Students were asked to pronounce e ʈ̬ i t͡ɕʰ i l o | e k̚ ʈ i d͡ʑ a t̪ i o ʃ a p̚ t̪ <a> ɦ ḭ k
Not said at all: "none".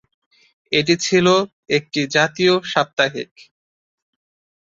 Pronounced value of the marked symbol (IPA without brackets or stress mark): a